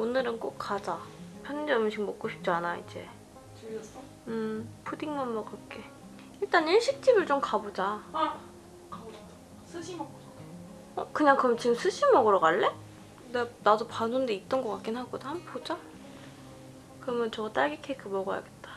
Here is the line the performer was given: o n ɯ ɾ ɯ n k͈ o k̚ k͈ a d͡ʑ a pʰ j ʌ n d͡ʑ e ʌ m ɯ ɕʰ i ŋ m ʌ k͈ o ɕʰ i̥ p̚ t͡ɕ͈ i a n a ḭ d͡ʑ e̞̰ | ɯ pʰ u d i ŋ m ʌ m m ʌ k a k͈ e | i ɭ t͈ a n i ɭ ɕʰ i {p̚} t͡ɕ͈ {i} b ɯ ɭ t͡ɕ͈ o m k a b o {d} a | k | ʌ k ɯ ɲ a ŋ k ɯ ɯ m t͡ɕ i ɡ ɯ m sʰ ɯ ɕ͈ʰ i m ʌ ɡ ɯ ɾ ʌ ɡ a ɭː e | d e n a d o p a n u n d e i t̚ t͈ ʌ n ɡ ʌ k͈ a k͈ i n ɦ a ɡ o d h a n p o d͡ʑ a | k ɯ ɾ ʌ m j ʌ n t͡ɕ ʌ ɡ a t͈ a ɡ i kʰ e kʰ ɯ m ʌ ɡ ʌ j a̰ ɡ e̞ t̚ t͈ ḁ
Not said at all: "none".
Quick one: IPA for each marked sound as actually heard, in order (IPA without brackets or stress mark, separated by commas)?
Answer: k̚, i, d͡ʑ